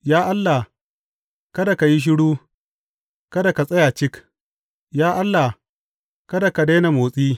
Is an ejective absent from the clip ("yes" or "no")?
no